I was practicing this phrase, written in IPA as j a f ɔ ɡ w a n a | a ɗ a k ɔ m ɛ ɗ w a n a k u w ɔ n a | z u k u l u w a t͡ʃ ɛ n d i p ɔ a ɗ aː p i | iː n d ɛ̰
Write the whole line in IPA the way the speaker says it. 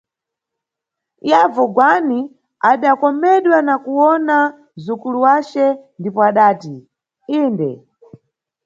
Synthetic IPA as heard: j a v ɔ ɡ w a n i | a ɗ a k ɔ m ɛ ɗ w a n a k u w ɔ n a | z u k u l u w a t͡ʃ ɛ n d i p ɔ a ɗ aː t i | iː n d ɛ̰